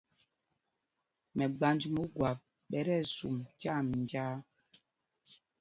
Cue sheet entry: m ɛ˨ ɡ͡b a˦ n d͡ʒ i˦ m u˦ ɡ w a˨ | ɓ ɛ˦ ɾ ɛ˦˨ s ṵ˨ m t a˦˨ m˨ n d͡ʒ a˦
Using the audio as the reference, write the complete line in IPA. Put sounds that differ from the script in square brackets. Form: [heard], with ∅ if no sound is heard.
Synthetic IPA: m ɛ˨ ɡ͡b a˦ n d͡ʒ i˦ m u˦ ɡ w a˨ | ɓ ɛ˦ ɾ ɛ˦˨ s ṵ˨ m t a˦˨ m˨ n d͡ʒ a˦